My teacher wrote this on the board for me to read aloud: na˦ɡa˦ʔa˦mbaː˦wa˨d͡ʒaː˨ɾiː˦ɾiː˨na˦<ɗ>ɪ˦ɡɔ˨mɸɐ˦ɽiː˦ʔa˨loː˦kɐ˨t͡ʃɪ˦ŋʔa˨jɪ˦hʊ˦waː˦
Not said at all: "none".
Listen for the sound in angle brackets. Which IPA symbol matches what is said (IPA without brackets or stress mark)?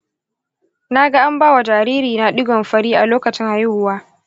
ɗ